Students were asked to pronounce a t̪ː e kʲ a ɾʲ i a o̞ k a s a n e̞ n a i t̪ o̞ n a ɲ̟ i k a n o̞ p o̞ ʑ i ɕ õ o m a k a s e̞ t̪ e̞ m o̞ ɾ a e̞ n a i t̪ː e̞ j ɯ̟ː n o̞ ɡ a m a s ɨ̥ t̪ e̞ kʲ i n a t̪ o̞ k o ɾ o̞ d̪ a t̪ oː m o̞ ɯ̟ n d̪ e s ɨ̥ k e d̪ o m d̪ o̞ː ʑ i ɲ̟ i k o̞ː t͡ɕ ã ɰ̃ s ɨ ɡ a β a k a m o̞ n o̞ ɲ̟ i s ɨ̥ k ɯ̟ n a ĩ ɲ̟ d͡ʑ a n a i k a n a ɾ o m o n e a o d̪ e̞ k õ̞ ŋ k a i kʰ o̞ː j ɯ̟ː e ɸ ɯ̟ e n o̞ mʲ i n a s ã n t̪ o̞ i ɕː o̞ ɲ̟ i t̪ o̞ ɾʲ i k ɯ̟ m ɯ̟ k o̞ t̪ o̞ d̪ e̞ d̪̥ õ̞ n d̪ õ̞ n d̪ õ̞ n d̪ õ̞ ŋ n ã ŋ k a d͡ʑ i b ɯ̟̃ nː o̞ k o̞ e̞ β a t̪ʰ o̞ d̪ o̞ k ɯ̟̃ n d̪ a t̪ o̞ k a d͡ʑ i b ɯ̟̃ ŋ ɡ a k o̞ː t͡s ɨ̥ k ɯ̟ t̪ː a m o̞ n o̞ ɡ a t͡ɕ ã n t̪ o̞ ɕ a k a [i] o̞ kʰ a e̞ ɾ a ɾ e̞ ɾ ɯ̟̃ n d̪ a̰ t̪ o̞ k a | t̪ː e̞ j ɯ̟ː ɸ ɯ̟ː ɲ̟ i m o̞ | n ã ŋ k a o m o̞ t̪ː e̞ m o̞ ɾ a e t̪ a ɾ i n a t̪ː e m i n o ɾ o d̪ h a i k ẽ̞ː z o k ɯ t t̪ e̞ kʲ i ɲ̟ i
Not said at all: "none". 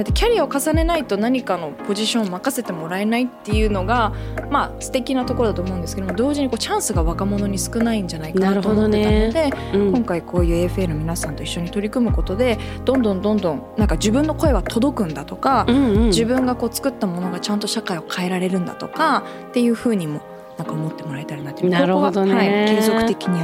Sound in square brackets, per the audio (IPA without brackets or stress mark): i